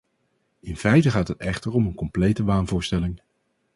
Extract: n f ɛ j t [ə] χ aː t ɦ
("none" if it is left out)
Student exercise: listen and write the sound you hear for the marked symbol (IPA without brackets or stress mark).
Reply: ə